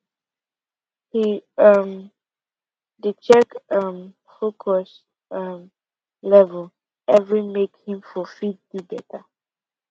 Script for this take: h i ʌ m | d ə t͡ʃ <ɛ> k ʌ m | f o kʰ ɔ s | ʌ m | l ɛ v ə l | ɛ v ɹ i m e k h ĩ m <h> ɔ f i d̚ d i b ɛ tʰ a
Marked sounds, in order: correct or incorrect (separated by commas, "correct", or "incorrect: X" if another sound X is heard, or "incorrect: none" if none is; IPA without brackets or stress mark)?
correct, incorrect: f